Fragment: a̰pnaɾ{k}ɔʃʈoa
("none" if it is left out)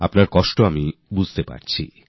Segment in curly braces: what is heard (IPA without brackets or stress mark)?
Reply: k